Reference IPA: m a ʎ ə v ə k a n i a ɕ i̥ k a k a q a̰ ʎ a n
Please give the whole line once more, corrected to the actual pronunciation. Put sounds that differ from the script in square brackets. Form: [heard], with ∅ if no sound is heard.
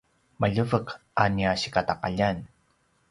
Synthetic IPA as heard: m a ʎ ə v ə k a n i a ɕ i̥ k a [t] a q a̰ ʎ a n